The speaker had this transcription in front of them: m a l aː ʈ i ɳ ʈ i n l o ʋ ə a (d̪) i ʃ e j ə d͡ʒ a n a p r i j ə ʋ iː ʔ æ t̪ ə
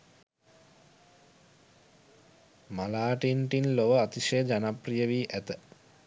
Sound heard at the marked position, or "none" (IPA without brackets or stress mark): t̪